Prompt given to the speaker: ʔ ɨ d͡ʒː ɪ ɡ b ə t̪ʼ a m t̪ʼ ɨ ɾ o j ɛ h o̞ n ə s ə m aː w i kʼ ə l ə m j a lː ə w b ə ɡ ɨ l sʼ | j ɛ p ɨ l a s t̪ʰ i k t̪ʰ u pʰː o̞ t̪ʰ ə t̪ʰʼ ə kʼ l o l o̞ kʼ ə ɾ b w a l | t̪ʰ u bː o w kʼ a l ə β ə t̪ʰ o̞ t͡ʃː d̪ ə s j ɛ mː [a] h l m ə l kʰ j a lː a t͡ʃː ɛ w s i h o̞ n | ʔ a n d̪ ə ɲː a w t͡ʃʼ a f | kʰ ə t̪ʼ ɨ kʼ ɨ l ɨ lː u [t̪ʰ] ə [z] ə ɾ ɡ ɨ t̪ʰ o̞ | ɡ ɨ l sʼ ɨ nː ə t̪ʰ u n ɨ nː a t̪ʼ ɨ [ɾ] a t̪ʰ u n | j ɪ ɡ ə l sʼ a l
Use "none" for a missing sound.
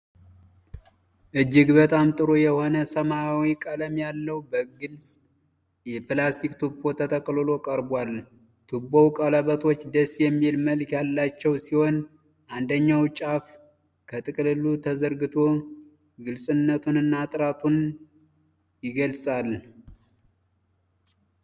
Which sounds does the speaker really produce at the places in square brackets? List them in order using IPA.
i, t̪ʰ, z, ɾ

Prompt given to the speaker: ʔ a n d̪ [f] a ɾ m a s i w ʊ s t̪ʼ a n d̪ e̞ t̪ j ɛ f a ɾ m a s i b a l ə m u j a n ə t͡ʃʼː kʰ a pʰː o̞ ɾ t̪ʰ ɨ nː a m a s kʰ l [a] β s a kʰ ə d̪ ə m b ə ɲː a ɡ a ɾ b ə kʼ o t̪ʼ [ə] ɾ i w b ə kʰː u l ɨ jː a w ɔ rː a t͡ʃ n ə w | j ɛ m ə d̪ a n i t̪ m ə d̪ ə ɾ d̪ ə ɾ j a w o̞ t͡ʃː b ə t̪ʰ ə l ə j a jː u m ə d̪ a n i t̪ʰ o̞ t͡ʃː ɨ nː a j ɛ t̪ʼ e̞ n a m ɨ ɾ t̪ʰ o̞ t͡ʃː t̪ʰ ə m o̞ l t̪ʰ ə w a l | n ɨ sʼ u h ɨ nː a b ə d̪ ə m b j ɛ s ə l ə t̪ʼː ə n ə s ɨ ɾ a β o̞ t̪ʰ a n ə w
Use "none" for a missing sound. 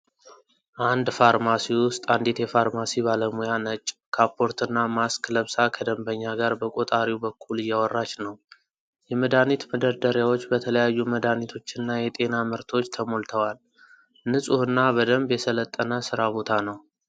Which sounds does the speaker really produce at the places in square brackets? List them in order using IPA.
f, ə, a

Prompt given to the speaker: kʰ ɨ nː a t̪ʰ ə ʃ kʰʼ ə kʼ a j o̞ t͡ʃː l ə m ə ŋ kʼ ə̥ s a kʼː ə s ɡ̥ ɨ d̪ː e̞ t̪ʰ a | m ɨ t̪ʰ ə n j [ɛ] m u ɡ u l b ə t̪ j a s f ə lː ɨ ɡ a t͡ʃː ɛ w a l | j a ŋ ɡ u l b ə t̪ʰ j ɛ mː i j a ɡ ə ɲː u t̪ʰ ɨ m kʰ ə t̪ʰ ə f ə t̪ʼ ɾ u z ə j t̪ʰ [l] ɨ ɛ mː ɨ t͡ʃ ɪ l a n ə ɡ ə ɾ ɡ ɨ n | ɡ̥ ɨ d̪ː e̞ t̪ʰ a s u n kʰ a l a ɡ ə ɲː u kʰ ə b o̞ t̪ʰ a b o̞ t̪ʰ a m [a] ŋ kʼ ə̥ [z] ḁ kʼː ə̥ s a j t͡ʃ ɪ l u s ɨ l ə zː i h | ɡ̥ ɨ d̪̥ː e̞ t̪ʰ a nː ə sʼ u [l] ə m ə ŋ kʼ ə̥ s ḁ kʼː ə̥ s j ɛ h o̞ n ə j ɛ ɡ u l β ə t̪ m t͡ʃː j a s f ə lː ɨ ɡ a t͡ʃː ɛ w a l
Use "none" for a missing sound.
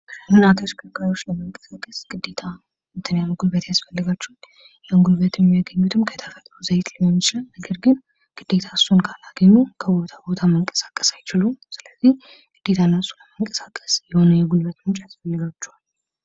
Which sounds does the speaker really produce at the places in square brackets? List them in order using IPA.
a, l, ə, s, l

